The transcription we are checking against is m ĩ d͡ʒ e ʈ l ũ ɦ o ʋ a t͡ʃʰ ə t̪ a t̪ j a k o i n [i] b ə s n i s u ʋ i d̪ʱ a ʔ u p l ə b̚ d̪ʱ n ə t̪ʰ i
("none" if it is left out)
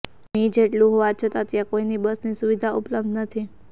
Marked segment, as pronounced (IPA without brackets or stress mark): i